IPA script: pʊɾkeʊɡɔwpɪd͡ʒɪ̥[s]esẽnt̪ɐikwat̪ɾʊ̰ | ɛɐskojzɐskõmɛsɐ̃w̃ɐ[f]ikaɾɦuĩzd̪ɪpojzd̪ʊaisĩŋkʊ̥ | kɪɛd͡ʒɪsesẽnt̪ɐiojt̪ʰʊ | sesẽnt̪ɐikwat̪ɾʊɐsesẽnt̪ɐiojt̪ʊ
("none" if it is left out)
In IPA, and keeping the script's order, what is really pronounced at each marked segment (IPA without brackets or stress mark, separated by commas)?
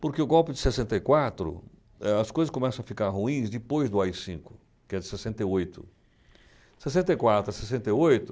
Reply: s, f